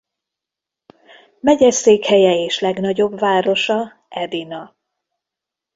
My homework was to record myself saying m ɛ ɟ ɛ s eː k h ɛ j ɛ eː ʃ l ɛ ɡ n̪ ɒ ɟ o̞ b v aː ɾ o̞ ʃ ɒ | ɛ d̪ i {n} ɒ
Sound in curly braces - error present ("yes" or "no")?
no